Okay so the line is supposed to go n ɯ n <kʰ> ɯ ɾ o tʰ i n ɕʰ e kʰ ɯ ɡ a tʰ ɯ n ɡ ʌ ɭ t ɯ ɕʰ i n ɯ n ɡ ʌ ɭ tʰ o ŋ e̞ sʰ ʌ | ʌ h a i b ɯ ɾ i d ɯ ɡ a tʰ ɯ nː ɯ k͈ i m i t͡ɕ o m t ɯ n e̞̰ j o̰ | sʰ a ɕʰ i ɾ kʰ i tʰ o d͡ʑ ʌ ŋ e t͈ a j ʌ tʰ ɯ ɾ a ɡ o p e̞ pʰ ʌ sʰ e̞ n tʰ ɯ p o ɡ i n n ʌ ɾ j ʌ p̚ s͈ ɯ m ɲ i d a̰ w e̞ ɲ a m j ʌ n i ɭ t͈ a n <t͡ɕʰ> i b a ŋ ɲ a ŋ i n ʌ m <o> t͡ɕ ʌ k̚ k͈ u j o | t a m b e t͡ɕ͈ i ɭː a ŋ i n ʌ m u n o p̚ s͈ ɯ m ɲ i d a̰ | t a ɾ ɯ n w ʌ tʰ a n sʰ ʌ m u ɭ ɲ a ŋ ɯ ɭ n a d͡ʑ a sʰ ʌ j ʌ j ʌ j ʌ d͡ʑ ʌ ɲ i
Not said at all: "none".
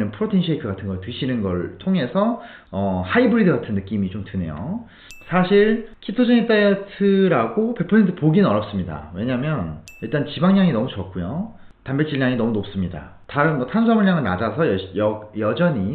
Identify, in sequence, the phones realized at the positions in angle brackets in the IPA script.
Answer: pʰ, t͡ɕ, u

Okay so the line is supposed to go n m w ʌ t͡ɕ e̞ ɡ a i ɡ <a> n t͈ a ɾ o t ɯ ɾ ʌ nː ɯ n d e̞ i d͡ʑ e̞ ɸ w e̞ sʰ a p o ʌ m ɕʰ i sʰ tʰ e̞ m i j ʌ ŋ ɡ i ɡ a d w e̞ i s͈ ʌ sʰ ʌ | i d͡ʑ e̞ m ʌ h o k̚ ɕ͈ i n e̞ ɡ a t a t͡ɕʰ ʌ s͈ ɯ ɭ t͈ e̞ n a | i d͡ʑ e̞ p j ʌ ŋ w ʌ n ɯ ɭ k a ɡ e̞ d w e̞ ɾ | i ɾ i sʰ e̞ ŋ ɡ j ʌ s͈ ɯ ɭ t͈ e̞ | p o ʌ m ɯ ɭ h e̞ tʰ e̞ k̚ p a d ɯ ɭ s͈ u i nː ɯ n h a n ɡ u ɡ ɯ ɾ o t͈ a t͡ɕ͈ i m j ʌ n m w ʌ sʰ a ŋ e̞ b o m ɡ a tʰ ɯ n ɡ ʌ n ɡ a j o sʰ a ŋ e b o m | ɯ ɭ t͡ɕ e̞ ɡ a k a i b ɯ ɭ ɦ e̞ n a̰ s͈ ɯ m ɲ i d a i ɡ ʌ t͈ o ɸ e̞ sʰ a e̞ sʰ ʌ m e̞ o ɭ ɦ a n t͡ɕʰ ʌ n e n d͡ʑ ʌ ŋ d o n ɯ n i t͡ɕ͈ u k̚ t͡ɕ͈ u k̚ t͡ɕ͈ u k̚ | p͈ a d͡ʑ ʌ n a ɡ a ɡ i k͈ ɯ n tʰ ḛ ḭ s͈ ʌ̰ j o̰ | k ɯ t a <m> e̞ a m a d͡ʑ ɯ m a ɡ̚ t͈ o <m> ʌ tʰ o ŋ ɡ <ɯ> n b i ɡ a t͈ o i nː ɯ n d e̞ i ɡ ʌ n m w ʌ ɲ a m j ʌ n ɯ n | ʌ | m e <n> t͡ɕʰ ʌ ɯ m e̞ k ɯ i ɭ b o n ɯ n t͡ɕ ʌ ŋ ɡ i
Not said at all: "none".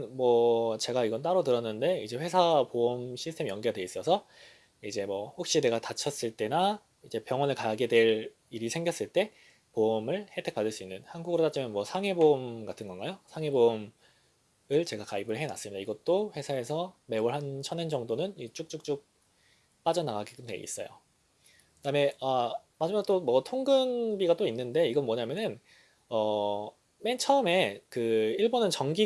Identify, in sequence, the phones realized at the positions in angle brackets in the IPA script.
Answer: ʌ, m, m, ɯ, n

